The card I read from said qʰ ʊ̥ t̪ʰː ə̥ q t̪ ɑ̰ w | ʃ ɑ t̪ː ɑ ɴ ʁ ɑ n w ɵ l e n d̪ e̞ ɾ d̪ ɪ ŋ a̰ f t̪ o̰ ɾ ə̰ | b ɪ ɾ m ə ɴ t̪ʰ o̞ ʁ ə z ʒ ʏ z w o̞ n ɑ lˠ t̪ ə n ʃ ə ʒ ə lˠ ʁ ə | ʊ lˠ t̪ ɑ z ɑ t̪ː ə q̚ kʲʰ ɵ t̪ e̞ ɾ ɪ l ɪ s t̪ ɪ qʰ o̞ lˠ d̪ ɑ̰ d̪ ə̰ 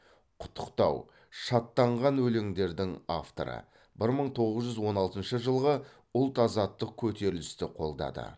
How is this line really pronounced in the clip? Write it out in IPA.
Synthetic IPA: qʰ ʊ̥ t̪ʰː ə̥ q t̪ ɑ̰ w | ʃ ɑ t̪ː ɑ ɴ ʁ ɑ n w ɵ l e ŋ d̪ e̞ ɾ d̪ ɪ ŋ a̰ f t̪ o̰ ɾ ə̰ | b ɪ ɾ m ə ɴ t̪ʰ o̞ ʁ ə z ʒ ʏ z w o̞ n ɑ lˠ t̪ ə n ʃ ə ʒ ə lˠ ʁ ə | ʊ lˠ t̪ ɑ z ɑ t̪ː ə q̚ kʲʰ ɵ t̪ e̞ ɾ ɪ l ɪ s t̪ ɪ qʰ o̞ lˠ d̪ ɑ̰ d̪ ə̰